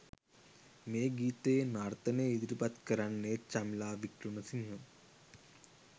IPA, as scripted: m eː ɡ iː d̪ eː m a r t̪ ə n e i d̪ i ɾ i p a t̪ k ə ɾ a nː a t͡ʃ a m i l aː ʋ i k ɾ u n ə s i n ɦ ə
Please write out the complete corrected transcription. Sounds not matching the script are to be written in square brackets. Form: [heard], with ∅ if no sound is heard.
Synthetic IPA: m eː ɡ iː [t̪] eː [n] a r t̪ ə n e i d̪ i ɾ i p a t̪ k ə ɾ a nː [e] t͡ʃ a m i l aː ʋ i k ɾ u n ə s i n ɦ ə